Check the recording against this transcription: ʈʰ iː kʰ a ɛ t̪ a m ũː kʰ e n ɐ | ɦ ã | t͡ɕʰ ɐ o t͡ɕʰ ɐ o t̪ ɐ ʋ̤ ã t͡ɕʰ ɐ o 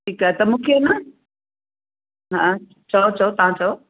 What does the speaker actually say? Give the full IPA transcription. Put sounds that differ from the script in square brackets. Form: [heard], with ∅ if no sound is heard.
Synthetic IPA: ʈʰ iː [k] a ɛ t̪ [ɐ] m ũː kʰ e n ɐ | ɦ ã | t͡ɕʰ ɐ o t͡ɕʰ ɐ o t̪ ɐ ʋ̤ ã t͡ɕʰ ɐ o